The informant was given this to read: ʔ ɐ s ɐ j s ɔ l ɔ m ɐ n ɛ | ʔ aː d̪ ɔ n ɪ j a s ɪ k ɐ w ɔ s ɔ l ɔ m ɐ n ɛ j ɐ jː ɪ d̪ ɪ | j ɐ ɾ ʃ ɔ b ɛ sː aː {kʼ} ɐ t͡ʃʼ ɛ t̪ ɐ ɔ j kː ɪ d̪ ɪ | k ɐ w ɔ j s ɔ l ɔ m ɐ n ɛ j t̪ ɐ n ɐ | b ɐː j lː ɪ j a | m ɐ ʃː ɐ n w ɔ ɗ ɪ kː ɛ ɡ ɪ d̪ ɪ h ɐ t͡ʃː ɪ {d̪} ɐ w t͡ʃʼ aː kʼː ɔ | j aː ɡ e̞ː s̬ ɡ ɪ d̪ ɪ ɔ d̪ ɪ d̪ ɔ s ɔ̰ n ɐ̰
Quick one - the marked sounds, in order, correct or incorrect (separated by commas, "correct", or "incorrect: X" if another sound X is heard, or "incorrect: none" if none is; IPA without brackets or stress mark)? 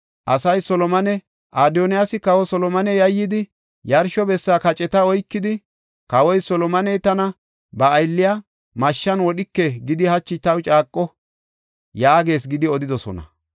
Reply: incorrect: k, incorrect: t̪